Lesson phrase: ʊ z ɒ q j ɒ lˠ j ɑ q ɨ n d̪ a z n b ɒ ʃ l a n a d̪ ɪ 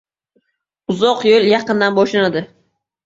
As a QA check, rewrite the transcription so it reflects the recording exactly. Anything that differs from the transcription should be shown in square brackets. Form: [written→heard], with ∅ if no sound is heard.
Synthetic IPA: ʊ z ɒ q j [ɒ→o] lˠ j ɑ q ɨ n d̪ a [z→∅] n b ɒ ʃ l a n a d̪ ɪ